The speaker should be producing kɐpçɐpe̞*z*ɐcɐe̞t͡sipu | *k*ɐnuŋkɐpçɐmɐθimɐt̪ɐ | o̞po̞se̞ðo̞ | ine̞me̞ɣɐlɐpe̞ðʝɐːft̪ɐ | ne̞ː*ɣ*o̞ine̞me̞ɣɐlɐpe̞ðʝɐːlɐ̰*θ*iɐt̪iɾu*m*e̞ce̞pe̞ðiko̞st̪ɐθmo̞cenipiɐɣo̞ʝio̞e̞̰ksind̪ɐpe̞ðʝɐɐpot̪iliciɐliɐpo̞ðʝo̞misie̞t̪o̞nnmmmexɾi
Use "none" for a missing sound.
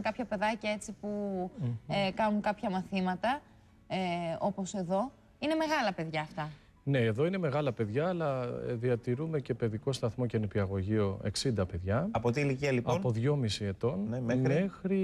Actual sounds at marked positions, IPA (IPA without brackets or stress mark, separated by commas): ð, k, ð, ð, m